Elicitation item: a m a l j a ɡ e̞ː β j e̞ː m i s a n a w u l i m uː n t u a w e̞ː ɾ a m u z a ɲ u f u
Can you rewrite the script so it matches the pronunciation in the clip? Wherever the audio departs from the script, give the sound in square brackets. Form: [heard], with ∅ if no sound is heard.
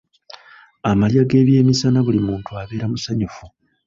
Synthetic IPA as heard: a m a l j a ɡ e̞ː β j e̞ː m i s a n a [β] u l i m uː n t u a [β] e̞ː ɾ a m u [s] a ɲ u f u